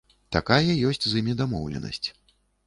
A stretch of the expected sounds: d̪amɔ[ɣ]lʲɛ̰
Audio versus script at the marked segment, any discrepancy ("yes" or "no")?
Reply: yes